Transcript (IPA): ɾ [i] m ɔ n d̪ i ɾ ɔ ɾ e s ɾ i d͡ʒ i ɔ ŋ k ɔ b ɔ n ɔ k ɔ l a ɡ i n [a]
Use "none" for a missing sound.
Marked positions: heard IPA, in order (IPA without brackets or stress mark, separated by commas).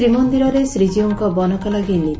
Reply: i, i